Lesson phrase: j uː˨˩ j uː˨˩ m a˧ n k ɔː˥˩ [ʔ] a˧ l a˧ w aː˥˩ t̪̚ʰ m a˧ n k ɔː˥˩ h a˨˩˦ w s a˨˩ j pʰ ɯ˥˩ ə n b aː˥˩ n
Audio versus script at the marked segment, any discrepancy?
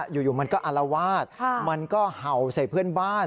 no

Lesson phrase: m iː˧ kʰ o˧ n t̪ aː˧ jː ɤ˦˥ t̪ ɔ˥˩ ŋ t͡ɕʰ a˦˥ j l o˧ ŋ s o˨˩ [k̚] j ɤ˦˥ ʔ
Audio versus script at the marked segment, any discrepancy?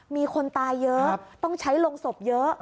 yes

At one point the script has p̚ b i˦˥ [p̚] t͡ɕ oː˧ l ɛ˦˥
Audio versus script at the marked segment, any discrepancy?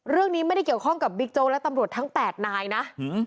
yes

